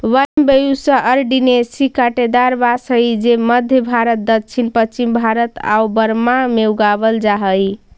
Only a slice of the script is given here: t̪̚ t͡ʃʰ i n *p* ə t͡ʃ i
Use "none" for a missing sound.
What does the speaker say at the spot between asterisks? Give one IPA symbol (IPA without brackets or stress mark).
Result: p